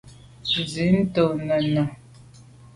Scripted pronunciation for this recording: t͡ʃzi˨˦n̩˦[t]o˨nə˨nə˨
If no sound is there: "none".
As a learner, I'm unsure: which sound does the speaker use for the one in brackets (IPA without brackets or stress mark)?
t